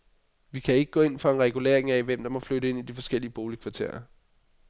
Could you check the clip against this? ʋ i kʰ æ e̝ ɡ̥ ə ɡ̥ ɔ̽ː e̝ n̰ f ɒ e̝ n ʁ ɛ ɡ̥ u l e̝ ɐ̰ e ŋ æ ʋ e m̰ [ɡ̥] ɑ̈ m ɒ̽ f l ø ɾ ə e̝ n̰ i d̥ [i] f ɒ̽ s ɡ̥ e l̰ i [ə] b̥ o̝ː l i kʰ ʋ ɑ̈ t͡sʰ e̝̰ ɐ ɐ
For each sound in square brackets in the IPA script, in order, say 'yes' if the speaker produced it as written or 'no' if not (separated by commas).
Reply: no, yes, yes